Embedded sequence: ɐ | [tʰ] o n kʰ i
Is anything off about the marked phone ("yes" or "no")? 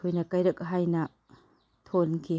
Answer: no